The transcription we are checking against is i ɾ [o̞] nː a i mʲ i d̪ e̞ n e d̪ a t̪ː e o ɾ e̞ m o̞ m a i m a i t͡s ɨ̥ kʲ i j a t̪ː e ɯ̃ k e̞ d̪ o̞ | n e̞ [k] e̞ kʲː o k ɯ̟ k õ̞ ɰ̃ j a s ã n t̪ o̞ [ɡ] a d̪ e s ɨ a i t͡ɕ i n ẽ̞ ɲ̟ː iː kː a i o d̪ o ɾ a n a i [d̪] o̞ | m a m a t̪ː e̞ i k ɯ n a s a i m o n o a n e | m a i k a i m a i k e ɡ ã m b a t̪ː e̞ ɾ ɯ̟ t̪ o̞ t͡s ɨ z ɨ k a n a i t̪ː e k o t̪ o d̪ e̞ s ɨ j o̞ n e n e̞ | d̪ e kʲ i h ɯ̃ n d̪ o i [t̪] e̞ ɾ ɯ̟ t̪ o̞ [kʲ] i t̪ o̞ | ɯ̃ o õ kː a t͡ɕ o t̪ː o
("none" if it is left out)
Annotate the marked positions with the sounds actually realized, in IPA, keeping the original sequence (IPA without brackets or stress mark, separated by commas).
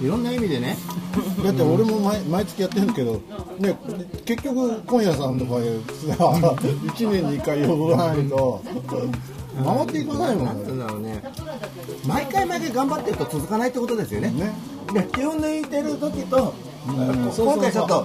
õ̞, k, k, t̪, t̪, kʲ